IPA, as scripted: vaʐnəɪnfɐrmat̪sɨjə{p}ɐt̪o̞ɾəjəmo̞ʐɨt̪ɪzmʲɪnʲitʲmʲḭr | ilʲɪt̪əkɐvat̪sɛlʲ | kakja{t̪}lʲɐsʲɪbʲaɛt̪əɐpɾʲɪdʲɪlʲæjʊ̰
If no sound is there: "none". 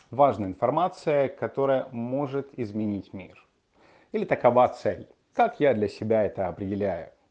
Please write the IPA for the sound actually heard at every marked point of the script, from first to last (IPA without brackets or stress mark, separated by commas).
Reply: k, d̪